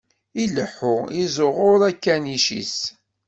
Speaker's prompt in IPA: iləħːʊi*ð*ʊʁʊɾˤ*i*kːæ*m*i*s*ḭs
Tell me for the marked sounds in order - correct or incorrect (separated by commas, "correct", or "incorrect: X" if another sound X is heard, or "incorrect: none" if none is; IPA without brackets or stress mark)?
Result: incorrect: z, incorrect: æ, incorrect: n, incorrect: ʃ